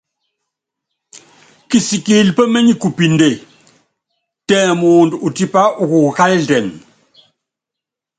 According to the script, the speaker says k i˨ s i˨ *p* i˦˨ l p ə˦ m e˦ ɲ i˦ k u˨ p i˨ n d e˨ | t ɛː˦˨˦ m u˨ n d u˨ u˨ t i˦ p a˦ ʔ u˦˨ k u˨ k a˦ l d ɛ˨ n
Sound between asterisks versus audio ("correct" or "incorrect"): incorrect